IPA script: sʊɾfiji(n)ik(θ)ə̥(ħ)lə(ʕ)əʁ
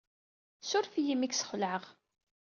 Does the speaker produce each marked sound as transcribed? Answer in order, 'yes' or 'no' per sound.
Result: no, no, no, yes

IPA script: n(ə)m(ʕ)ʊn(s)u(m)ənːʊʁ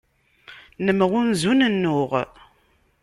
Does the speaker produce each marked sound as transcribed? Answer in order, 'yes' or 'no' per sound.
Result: yes, no, no, no

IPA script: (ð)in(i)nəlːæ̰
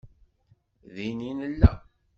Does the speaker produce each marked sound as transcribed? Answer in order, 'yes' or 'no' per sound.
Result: yes, yes

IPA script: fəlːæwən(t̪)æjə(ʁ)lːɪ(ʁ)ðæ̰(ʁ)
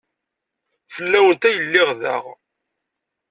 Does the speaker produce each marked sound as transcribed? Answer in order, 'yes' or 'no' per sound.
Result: yes, no, yes, yes

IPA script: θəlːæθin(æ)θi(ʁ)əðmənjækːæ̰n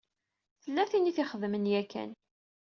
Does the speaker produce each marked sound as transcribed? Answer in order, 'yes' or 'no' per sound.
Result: no, no

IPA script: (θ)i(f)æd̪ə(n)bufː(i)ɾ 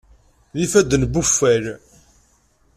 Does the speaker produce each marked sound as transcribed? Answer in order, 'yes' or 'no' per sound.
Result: no, yes, yes, no

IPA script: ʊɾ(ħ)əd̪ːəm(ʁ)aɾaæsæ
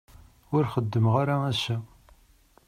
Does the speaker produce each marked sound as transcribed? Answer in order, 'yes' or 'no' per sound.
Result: no, yes

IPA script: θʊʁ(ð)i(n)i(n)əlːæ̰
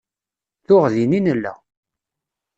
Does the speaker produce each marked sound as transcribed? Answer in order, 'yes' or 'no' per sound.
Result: yes, yes, yes

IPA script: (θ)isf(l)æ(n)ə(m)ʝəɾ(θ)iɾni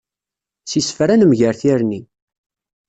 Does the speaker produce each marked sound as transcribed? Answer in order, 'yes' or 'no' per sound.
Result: no, no, yes, yes, yes

